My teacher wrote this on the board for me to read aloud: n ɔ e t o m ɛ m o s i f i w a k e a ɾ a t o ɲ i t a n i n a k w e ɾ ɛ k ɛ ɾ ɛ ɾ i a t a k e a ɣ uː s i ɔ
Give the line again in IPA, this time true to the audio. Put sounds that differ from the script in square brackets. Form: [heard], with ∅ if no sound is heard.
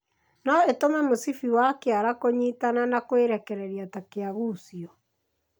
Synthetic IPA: n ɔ e t o m ɛ m o s i f i w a k e a ɾ a [k] o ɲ i t a n [a] n a k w e ɾ ɛ k ɛ ɾ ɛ ɾ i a t a k e a ɣ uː s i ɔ

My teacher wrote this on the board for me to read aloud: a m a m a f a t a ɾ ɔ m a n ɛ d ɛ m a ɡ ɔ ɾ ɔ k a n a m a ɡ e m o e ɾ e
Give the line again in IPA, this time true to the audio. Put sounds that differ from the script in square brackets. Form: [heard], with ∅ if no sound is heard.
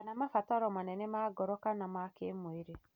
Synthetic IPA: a [n] a m a f a t a ɾ ɔ m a n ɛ [n] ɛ m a ɡ ɔ ɾ ɔ k a n a m a [k] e m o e ɾ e

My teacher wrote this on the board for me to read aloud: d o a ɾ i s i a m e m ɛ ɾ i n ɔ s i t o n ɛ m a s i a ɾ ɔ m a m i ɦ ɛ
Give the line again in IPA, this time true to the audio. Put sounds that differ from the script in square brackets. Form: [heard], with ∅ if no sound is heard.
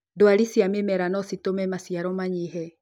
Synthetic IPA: d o a ɾ i s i a m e m ɛ ɾ [a] n ɔ s i t o [m] ɛ m a s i a ɾ ɔ m a [ɲ] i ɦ ɛ

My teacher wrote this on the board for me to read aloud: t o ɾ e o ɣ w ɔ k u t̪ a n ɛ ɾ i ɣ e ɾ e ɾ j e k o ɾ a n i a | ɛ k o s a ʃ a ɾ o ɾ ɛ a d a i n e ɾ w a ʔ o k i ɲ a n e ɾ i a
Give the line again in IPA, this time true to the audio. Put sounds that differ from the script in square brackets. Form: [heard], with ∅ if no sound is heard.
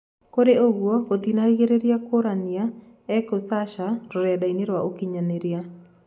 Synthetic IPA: [k] o ɾ e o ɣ w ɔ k [o] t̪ [i] n [a] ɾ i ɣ e ɾ e ɾ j [a] k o ɾ a n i a | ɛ k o s a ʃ a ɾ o ɾ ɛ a d a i n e ɾ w a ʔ o k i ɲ a n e ɾ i a

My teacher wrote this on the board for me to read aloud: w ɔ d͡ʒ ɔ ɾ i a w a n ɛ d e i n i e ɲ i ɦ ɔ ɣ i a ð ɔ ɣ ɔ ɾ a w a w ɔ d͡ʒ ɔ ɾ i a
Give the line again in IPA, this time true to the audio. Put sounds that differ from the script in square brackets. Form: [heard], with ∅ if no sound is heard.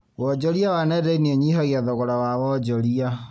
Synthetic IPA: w ɔ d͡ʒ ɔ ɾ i a w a n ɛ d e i n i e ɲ i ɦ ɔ ɣ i a ð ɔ ɣ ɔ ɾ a w a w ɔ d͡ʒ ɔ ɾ i a

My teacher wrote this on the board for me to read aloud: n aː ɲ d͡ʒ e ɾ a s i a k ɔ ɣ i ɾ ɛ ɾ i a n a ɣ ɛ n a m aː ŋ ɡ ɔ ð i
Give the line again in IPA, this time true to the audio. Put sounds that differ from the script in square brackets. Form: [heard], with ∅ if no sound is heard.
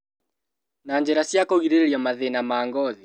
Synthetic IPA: n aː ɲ d͡ʒ [ɛ] ɾ a s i a k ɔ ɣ i ɾ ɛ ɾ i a [m] a [ð] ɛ n a m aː ŋ ɡ ɔ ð i

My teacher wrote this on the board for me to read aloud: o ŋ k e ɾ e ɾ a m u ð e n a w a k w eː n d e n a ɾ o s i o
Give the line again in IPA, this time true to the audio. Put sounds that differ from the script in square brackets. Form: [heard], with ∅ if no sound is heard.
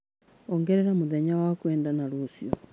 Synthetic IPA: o ŋ [ɡ] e ɾ e ɾ a m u ð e [ɲ] a w a k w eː n d [a] n a ɾ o s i o

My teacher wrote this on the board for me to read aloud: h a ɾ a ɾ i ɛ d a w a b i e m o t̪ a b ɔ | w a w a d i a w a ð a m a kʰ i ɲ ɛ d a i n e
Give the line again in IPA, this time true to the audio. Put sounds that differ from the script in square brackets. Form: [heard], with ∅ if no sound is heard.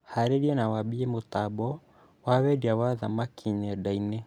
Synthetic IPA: h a ɾ [e] ɾ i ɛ [n] a w a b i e m o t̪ a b ɔ | w a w [ɛ] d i a w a ð a m a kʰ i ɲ ɛ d a i n e

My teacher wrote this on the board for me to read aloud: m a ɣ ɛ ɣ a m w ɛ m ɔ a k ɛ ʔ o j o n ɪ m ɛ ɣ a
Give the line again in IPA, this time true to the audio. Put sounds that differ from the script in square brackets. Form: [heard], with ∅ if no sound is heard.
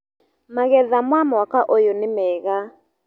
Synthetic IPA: m a ɣ ɛ [ð] a m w [a] m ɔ a k [a] ʔ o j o n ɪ m ɛ ɣ a

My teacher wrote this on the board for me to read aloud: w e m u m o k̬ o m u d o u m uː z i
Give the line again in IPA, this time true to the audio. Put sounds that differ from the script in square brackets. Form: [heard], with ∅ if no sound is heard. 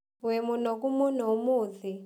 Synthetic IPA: w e m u [n] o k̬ [u] m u [n] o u m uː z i

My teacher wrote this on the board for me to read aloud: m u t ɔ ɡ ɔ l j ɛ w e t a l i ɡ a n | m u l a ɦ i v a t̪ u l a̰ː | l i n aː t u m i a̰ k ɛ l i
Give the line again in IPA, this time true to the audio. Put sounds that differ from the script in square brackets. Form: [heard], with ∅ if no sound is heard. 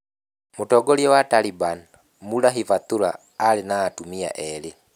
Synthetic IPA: m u t ɔ ɡ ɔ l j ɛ w [a] t a l i [b] a n | m u l a ɦ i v a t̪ u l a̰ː | l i n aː t u m i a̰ [ʔ] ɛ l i

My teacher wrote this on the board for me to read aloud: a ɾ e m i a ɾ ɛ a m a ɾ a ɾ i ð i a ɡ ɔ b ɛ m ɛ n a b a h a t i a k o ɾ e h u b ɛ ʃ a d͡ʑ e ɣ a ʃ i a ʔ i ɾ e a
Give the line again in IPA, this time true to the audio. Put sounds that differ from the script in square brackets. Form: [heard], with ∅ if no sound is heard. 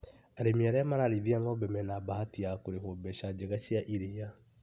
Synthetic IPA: a ɾ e m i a ɾ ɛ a m a ɾ a ɾ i ð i a [ŋ] ɔ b ɛ m ɛ n a b a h a t i a k o ɾ e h [o] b ɛ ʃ a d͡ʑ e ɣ a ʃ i a ʔ i ɾ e a

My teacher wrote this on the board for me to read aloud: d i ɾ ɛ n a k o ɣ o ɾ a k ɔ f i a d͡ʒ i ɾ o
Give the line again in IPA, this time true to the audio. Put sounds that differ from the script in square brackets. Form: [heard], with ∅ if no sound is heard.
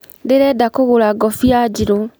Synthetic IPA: d [e] ɾ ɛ [d] a k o ɣ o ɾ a [ɡ] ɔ f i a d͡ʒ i ɾ o

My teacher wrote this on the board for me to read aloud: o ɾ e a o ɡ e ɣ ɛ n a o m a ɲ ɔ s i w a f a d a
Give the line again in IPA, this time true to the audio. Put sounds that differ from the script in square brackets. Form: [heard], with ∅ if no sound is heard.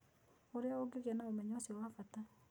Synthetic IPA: o ɾ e a o ɡ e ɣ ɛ n a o m [ɛ] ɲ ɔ s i w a f a [t] a

